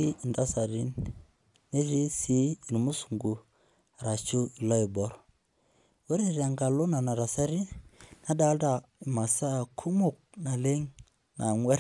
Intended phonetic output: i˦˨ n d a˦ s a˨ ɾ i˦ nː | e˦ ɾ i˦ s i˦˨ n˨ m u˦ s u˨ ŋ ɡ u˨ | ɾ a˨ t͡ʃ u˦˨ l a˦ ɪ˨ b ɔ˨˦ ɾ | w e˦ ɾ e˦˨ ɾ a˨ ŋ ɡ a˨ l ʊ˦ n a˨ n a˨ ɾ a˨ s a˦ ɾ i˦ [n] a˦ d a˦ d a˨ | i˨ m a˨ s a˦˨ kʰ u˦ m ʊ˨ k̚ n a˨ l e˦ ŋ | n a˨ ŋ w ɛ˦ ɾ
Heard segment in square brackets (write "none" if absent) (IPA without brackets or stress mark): n